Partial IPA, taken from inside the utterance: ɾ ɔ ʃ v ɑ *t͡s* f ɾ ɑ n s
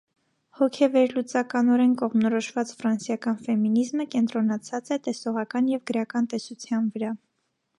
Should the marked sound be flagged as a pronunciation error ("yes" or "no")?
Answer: no